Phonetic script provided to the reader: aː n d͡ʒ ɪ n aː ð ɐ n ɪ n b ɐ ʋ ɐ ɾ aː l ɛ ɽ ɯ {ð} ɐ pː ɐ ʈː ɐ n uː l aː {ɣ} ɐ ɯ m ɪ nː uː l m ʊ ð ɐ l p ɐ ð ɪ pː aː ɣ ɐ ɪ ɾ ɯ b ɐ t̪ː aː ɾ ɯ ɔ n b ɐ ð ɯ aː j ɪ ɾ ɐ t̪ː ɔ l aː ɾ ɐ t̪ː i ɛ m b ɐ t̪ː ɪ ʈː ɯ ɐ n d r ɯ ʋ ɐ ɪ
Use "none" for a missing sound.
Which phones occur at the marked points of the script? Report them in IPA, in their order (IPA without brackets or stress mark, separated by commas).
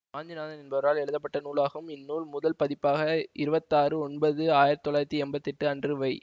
ð, ɣ